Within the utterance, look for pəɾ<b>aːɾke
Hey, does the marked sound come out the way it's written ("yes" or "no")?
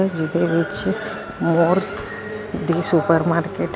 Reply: no